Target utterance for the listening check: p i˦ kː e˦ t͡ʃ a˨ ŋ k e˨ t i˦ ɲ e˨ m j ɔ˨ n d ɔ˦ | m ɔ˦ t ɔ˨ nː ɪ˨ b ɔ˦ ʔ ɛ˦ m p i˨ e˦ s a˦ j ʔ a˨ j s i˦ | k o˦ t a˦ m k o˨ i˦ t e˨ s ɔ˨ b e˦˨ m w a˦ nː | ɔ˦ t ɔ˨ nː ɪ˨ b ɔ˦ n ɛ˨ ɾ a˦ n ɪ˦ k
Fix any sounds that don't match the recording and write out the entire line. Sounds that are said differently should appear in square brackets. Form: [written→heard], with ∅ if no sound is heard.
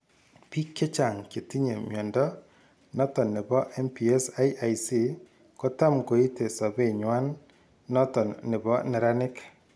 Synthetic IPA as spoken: p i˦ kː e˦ t͡ʃ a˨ ŋ k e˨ t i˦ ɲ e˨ m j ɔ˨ n d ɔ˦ | [m→n] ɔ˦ t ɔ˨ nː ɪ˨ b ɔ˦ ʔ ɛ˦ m p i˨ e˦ s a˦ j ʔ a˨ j s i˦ | k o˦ t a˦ m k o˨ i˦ t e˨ s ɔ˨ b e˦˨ [m→ɲ] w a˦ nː | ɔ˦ t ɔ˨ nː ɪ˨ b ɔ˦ n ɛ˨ ɾ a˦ n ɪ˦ k